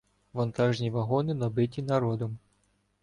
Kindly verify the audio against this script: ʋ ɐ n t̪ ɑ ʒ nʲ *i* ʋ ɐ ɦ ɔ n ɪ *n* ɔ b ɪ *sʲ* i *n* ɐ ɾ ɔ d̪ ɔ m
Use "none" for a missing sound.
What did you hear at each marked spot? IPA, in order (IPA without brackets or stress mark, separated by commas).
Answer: i, n, tʲ, n